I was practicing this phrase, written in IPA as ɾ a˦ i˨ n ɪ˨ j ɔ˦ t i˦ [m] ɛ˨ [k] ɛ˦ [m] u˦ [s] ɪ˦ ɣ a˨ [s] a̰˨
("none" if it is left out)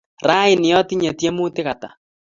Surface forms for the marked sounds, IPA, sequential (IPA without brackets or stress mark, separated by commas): ɲ, t, m, t, t